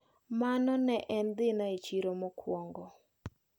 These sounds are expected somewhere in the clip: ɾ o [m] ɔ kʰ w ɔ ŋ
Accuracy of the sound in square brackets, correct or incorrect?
correct